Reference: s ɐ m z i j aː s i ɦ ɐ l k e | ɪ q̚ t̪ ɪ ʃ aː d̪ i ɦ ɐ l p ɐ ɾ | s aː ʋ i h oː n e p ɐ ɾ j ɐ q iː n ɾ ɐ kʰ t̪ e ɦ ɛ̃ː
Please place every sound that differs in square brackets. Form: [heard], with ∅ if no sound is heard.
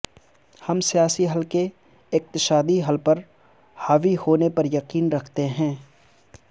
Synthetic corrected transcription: [h] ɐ m [s] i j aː s i ɦ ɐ l k e | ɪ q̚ t̪ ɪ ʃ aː d̪ i ɦ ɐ l p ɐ ɾ | [h] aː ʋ i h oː n e p ɐ ɾ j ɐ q iː n ɾ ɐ kʰ t̪ e ɦ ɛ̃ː